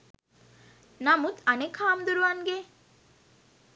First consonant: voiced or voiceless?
voiced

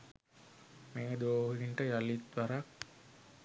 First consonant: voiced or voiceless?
voiced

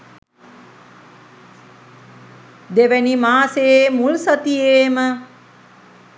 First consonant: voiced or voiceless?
voiced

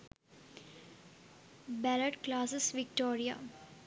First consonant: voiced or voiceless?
voiced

